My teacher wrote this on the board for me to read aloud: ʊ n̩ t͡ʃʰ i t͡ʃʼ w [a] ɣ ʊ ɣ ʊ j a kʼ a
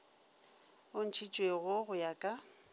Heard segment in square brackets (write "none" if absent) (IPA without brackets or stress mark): e